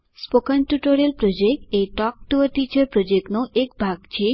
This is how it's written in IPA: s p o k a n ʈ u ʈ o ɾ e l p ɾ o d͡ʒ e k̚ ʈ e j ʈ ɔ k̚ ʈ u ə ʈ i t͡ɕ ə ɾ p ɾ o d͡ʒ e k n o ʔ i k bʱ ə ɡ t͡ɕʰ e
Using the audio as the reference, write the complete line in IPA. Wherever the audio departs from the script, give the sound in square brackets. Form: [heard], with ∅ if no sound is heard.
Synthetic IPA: s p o k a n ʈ u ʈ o ɾ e l p ɾ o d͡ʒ e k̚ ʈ e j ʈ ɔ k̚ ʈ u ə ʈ i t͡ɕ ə ɾ p ɾ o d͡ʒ e k n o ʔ [e] k bʱ [a] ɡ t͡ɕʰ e